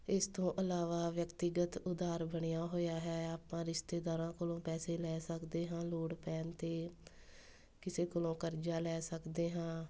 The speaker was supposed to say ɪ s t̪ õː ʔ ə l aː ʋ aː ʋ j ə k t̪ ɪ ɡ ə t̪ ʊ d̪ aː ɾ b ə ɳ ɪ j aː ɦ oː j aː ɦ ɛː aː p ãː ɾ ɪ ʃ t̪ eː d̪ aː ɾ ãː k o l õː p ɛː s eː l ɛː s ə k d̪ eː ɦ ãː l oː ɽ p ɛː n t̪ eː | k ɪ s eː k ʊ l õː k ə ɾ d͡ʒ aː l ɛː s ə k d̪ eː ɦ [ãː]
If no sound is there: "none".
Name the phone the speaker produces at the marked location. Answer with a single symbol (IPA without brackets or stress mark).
ãː